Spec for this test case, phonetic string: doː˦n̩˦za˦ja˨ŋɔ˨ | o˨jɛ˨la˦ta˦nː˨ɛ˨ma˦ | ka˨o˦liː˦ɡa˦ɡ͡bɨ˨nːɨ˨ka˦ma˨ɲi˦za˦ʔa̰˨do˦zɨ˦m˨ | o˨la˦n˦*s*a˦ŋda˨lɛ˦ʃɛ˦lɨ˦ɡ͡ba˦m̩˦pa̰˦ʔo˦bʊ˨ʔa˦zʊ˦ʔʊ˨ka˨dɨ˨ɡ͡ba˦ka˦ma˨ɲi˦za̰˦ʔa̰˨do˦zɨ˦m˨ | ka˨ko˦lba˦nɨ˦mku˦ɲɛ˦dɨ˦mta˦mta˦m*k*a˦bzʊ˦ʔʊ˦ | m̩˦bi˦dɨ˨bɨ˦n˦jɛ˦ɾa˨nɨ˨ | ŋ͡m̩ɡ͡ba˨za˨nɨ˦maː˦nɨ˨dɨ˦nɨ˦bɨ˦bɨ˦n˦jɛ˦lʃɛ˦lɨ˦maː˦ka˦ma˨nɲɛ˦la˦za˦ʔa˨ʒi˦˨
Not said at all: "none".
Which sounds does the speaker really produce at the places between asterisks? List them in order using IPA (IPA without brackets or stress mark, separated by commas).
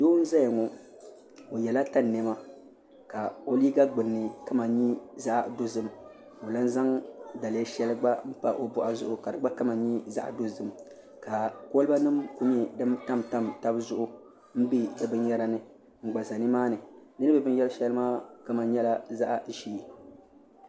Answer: z, t